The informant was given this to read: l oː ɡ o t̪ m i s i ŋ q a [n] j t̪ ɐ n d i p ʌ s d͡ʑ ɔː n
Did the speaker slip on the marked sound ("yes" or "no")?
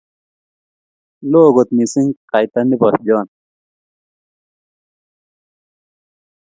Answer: yes